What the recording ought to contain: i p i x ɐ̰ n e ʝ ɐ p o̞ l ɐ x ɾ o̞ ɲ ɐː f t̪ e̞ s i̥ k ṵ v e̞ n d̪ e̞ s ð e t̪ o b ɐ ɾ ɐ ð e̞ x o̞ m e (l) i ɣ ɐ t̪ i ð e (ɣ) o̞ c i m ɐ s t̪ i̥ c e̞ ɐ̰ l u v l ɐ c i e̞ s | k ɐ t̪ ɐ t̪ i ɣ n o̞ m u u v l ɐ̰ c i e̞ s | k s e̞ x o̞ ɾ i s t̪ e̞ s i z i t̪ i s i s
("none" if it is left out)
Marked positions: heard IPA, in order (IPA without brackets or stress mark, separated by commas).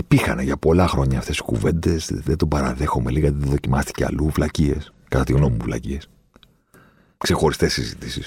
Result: l, ð